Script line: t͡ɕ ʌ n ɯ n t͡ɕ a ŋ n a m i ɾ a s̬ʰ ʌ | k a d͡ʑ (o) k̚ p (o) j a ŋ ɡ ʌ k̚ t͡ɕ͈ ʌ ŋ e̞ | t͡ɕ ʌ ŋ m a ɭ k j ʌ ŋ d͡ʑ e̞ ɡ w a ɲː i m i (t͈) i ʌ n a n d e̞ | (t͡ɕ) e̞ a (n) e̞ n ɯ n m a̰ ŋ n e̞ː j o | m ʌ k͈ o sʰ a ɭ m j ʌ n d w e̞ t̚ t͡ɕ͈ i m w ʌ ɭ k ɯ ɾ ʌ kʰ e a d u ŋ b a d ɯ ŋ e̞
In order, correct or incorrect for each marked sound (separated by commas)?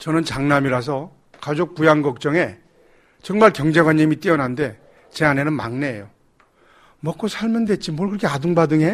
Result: correct, incorrect, correct, correct, correct